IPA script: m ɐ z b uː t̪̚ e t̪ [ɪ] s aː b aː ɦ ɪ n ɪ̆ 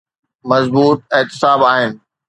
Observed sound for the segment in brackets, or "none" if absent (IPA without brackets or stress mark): ɪ